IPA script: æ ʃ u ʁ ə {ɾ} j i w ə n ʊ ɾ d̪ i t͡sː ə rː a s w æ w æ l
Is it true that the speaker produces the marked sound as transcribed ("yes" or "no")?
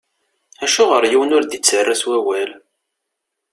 yes